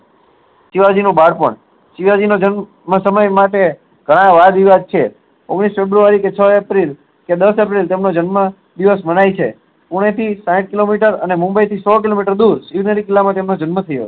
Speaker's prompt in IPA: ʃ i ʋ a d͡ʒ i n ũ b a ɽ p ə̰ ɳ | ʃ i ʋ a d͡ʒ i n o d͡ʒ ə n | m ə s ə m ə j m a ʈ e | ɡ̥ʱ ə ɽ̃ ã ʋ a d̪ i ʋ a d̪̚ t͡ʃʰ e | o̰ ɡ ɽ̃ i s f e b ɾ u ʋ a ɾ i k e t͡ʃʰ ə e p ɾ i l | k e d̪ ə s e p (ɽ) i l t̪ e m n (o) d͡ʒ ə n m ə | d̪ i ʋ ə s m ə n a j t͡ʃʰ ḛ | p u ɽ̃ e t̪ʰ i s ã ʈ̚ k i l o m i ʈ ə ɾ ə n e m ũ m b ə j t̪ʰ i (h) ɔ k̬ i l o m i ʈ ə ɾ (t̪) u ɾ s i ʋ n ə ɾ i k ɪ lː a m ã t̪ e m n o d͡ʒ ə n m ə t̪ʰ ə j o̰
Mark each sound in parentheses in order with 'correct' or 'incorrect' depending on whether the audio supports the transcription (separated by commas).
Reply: incorrect, correct, incorrect, incorrect